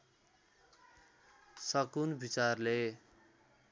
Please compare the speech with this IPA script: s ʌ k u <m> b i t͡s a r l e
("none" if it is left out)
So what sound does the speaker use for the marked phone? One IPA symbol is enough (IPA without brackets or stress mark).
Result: n